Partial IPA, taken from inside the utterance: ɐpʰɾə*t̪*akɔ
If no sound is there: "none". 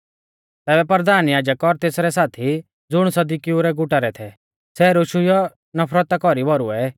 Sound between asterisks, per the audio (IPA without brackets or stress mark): t̪